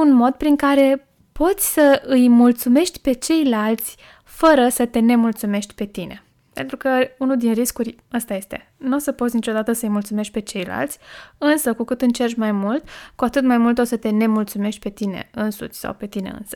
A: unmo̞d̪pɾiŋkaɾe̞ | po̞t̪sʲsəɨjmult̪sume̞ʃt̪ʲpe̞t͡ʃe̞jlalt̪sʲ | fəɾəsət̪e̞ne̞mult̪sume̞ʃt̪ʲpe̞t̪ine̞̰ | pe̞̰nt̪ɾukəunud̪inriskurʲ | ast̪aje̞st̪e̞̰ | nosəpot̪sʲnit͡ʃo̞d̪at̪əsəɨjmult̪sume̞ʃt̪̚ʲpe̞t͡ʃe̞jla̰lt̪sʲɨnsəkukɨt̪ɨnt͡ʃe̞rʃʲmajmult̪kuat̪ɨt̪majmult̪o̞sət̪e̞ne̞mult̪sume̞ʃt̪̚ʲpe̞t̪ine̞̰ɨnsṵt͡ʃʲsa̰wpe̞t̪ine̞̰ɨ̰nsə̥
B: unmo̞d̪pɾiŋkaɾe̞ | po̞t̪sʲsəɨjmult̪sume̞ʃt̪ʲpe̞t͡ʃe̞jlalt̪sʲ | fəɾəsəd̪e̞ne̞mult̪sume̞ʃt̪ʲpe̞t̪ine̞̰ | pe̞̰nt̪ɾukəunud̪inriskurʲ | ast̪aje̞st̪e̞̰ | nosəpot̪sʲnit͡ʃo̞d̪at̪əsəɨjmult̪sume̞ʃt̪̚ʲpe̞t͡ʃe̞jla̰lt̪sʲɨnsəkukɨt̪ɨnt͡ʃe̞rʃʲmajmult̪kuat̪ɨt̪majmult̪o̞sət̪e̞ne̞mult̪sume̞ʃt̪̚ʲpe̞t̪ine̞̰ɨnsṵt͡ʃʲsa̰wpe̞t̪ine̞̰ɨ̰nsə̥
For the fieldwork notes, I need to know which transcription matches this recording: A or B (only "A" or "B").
A